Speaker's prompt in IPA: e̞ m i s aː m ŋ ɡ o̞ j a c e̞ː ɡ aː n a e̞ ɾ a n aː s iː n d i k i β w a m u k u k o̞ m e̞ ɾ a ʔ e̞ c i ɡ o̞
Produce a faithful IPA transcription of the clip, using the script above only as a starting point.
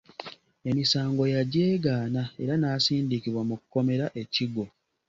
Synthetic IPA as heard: e̞ m i s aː ŋ ɡ o̞ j a ɟ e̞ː ɡ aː n a e̞ ɾ a n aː s iː n d i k i β w a m u k u k o̞ m e̞ ɾ a ʔ e̞ c i ɡ o̞